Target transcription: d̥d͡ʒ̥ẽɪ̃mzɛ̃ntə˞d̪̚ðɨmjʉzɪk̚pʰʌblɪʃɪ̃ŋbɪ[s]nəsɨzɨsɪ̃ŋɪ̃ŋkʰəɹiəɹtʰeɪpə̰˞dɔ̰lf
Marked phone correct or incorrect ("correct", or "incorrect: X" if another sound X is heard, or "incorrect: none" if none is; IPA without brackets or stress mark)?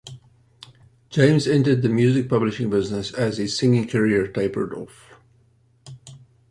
incorrect: z